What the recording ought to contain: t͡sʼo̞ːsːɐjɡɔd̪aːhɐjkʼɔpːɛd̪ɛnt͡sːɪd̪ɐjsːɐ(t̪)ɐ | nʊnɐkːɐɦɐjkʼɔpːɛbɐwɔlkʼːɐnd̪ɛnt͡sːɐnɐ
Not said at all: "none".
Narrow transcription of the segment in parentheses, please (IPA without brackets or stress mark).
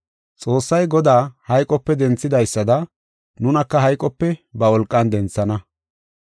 d̪